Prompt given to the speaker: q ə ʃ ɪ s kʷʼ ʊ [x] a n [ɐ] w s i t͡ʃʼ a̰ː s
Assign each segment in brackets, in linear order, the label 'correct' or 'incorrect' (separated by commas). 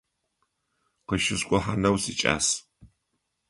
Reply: incorrect, correct